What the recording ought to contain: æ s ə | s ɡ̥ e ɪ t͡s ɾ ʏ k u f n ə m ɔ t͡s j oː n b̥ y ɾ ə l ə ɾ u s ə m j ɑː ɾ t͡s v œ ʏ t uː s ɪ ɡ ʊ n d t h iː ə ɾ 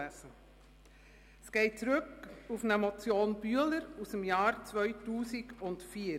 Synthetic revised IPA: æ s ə | s ɡ̥ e ɪ t͡s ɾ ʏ k u f n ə m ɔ t͡s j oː n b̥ y ə l ə ɾ u s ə m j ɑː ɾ t͡s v œ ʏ t uː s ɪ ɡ ʊ n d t f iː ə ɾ